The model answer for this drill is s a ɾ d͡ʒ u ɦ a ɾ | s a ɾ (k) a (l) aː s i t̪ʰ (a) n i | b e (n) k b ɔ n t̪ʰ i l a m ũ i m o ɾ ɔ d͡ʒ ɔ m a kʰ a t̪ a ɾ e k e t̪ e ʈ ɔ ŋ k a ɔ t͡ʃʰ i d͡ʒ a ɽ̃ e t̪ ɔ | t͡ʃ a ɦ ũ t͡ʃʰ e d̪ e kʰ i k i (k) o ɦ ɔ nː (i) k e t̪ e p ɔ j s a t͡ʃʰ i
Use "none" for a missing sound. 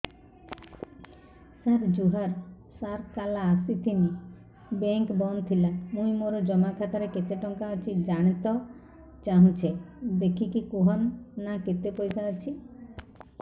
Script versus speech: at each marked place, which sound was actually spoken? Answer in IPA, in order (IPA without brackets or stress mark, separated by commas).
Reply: k, l, i, ŋ, k, a